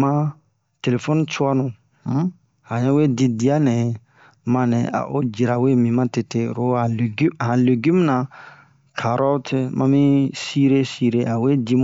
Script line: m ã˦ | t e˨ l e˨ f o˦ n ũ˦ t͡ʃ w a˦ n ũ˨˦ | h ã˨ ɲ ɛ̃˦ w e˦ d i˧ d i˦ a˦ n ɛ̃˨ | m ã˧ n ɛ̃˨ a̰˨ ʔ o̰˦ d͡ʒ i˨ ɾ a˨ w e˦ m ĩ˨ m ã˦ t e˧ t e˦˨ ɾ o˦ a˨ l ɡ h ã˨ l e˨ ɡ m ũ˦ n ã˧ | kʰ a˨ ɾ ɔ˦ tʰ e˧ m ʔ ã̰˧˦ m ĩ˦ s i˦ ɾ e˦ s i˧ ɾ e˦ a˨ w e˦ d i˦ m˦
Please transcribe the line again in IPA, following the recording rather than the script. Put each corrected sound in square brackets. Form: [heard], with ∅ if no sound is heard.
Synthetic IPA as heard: m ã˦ | t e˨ l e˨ f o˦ n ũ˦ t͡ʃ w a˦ n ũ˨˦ | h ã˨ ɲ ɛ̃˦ w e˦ d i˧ d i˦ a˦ n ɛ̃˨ | m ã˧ n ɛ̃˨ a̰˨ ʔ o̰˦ d͡ʒ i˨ ɾ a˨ w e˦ m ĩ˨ m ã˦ t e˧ t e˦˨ ɾ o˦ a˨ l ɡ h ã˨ l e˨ ɡ m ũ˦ n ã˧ | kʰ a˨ ɾ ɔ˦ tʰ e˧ m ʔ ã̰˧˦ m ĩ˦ s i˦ ɾ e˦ s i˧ ɾ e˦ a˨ w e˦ d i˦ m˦